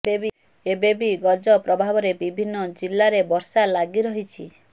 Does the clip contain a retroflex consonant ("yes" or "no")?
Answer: no